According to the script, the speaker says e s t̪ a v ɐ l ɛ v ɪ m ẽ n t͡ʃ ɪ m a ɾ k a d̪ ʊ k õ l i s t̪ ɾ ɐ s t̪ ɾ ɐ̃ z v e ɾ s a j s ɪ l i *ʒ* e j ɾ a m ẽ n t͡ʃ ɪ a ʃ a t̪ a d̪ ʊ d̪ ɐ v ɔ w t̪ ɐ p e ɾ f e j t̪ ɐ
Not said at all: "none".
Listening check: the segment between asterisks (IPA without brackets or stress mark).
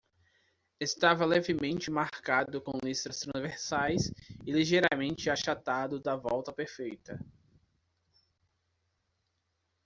ʒ